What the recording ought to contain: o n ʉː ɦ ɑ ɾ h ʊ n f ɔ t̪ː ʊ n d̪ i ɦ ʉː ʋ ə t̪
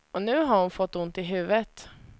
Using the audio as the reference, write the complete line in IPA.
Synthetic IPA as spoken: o n ʉː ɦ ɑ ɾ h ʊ n f ɔ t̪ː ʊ n t̪ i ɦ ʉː ʋ ə t̪